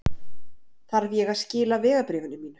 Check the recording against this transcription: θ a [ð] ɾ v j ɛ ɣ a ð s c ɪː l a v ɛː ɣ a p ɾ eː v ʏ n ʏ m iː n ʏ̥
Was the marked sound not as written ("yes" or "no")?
yes